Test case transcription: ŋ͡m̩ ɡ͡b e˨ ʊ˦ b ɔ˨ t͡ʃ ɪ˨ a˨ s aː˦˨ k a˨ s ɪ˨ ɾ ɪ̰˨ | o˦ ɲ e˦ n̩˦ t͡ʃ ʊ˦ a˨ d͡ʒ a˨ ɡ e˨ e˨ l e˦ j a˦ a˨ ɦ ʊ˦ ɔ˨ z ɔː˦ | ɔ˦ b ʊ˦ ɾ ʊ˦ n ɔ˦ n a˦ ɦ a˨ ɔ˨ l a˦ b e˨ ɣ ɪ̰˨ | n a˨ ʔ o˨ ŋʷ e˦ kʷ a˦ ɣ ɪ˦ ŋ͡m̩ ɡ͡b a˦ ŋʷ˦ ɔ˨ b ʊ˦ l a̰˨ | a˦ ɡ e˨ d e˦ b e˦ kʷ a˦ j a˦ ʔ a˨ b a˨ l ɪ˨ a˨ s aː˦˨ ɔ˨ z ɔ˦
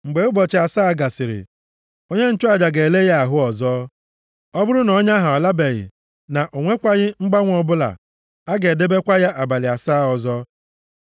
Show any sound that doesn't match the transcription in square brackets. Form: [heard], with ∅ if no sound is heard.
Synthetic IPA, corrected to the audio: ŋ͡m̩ ɡ͡b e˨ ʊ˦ b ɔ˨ t͡ʃ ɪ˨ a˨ s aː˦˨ [ɡ] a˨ s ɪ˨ ɾ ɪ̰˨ | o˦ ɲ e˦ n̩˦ t͡ʃ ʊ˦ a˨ d͡ʒ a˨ ɡ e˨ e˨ l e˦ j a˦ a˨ ɦ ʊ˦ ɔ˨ z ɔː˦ | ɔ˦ b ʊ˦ ɾ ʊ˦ n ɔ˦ [ɲ] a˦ ɦ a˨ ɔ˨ l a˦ b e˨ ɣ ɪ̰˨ | n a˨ ʔ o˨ ŋʷ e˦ kʷ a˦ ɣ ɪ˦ ŋ͡m̩ ɡ͡b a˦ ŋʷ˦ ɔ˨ b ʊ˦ l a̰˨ | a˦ ɡ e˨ d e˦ b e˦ kʷ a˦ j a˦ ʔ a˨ b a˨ l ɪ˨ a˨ s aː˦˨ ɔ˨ z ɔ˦

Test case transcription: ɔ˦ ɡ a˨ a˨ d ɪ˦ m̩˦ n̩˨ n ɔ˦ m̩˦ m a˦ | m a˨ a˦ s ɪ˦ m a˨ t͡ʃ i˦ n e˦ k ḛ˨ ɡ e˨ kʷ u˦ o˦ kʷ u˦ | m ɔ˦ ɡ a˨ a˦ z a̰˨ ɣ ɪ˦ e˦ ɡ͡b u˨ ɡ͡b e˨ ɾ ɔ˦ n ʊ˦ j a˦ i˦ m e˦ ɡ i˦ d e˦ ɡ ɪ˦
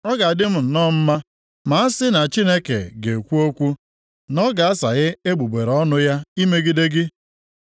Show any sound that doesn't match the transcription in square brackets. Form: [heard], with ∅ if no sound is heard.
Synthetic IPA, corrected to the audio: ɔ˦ ɡ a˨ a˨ d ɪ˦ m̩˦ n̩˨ n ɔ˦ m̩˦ m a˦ | m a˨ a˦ s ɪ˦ [n] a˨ t͡ʃ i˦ n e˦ k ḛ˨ ɡ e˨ kʷ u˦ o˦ kʷ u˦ | [n] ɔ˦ ɡ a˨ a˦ [s] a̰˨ ɣ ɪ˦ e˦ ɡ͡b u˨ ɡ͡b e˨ ɾ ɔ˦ n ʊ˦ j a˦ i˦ m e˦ ɡ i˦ d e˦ ɡ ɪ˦

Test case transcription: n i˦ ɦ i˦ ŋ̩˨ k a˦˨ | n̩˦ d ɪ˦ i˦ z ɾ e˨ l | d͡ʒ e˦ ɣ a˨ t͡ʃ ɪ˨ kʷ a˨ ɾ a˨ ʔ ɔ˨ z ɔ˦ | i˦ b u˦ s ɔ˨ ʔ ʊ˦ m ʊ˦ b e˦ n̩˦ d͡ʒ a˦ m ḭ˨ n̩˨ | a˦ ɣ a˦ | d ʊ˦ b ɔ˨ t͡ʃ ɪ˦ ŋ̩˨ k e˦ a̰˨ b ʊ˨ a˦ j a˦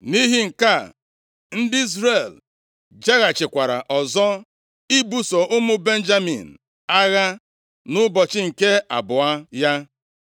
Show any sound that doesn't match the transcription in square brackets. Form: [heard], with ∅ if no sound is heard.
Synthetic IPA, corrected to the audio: n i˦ ɦ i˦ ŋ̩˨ k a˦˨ | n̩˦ d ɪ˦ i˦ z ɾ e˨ l | d͡ʒ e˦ ɣ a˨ t͡ʃ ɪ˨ kʷ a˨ ɾ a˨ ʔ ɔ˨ z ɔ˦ | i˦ b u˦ s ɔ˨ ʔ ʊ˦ m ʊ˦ b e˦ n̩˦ d͡ʒ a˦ m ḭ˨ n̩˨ | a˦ ɣ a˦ | [n] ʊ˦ b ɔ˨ t͡ʃ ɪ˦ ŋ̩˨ k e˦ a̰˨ b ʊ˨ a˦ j a˦

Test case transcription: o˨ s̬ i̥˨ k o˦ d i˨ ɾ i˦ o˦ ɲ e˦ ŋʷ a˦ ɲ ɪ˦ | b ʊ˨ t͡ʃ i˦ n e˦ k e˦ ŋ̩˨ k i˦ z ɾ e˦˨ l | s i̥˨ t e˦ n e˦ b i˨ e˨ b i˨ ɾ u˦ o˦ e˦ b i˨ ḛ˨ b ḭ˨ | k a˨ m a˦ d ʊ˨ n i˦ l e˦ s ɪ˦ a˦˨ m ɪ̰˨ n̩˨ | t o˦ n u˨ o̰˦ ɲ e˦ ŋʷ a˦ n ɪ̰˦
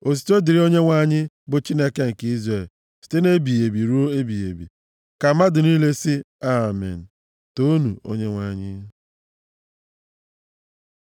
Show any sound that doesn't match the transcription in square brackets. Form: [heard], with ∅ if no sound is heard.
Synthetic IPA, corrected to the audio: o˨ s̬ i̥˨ [t] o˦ d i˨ ɾ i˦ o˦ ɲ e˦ ŋʷ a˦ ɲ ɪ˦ | b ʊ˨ t͡ʃ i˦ n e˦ k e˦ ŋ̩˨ k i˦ z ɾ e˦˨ l | s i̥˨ t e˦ n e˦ b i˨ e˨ b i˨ ɾ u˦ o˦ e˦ b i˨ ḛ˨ b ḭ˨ | k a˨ m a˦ d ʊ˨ n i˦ l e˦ s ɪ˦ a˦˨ m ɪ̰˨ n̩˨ | t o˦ n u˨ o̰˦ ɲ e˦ ŋʷ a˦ [ɲ] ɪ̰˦

